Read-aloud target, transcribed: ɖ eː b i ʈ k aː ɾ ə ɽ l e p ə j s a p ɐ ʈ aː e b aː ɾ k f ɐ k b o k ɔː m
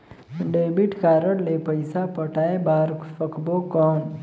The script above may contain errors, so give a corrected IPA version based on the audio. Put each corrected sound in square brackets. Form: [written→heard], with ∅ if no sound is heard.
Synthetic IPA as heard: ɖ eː b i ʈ k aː ɾ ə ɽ l e p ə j s a p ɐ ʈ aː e b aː ɾ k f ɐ k b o k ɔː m